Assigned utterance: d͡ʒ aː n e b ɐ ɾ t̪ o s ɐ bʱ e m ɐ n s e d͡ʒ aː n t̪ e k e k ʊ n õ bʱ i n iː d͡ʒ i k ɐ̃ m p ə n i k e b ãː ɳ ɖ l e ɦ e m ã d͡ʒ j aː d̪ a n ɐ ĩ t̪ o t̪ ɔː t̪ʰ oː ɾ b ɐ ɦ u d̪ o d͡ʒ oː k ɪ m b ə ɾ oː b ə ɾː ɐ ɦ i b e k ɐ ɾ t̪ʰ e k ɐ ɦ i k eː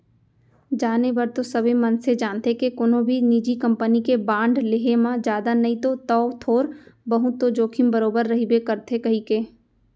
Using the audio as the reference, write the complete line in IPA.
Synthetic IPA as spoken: d͡ʒ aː n e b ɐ ɾ t̪ o s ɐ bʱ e m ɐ n s e d͡ʒ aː n t̪ e k e k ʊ n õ bʱ i n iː d͡ʒ i k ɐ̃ m p ə n i k e b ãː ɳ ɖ l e ɦ e m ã d͡ʒ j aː d̪ a n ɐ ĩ t̪ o t̪ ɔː t̪ʰ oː ɾ b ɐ ɦ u t̪ o d͡ʒ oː kʰ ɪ m b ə ɾ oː b ə ɾː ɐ ɦ i b e k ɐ ɾ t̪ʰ e k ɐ ɦ i k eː